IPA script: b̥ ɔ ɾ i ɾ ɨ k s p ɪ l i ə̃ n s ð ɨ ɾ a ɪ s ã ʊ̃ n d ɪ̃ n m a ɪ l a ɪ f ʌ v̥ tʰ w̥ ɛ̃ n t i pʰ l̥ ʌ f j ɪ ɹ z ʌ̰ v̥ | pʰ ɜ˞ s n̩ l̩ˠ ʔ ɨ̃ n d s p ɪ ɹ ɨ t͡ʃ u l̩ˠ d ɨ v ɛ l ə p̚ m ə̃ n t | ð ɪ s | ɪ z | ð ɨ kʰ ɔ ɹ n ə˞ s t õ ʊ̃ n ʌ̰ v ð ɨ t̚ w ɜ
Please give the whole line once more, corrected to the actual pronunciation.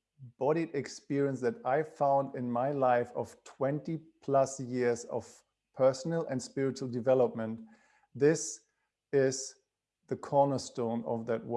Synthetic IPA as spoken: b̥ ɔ ɾ i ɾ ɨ k s p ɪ ɹ i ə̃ n s ð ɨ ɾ a ɪ f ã ʊ̃ n d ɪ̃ n m a ɪ l a ɪ f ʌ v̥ tʰ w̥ ɛ̃ n t i pʰ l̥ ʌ s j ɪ ɹ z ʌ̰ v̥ | pʰ ɜ˞ s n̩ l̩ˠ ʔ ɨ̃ n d s p ɪ ɹ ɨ t͡ʃ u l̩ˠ d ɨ v ɛ l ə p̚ m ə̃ n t | ð ɪ s | ɪ z | ð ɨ kʰ ɔ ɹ n ə˞ s t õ ʊ̃ n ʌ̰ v ð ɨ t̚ w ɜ